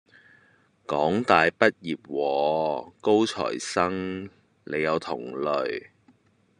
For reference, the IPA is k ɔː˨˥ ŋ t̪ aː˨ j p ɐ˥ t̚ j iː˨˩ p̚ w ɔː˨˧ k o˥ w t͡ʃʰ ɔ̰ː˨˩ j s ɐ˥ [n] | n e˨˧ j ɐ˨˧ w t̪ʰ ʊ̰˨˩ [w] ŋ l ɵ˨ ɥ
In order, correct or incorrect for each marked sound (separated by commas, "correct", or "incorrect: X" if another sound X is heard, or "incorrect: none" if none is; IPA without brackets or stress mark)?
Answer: incorrect: ŋ, incorrect: none